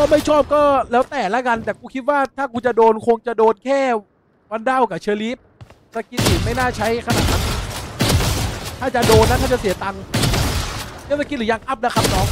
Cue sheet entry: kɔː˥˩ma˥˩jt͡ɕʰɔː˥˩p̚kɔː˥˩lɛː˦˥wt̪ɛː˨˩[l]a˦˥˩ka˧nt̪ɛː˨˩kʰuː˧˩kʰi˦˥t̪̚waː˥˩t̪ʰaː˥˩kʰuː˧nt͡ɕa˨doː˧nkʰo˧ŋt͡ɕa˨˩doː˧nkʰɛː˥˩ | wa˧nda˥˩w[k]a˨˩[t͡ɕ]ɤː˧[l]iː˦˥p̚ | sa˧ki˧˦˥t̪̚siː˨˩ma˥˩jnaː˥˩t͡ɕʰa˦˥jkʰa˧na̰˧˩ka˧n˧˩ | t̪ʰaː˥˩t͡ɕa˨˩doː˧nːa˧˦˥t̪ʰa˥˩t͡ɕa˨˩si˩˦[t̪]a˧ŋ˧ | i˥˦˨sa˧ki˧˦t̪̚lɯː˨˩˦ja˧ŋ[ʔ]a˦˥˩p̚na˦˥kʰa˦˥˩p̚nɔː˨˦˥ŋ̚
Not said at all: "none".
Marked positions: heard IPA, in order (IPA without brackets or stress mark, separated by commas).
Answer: l, k, t͡ɕʰ, l, t̪, ʔ